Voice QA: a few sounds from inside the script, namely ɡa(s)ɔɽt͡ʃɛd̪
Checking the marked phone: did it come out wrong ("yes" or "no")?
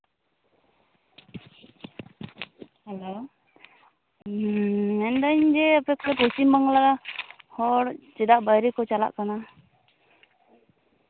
yes